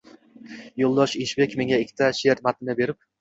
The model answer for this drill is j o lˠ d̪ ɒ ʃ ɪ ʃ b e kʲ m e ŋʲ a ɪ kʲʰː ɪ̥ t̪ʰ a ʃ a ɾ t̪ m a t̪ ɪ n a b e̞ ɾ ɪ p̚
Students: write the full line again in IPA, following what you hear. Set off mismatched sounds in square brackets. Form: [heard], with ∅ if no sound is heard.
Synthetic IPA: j o lˠ d̪ ɒ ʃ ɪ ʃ b e kʲ m e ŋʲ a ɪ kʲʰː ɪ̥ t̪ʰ a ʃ [e] ɾ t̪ m a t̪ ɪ n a b e̞ ɾ ɪ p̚